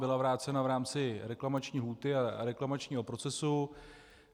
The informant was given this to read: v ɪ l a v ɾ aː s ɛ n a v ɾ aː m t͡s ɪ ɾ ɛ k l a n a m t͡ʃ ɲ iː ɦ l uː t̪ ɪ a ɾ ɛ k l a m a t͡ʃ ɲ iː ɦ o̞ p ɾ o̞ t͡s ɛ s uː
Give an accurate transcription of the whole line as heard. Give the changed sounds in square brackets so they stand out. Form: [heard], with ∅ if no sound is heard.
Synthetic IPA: [b] ɪ l a v ɾ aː [t͡s] ɛ n a v ɾ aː m t͡s ɪ ɾ ɛ k l a [m] a [∅] t͡ʃ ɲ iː ɦ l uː t̪ ɪ a ɾ ɛ k l a m a t͡ʃ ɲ iː ɦ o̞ p ɾ o̞ t͡s ɛ s [u]